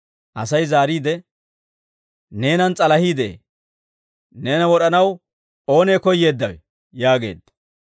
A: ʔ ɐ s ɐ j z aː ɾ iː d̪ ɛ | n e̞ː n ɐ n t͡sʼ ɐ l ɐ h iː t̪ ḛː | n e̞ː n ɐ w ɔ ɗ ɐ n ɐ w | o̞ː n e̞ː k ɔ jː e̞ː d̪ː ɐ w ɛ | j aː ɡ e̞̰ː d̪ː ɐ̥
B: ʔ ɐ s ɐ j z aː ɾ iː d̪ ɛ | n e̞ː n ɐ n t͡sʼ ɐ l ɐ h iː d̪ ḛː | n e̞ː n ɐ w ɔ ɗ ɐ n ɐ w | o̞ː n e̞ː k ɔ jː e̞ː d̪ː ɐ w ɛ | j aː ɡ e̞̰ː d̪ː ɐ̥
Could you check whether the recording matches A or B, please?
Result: B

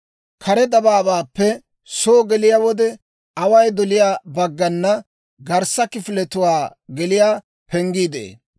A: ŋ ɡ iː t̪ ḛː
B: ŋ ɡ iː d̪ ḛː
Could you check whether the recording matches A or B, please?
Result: B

